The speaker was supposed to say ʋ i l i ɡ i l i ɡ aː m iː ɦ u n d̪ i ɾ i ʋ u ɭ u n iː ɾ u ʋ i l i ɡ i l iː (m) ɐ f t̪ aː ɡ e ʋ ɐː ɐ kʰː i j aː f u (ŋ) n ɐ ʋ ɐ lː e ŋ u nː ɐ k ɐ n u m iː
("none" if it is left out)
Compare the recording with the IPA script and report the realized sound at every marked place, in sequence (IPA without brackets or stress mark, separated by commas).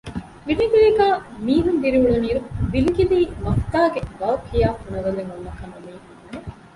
m, none